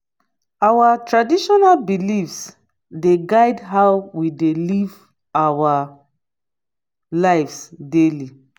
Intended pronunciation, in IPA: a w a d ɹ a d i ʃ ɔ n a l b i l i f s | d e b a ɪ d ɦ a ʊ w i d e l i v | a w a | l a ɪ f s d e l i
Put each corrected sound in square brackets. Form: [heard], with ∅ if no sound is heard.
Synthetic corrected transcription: a w a [t] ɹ a d i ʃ ɔ n a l b i l i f s | d e [ɡ] a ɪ d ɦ a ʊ w i d e l i v | a w a | l a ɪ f s d e l i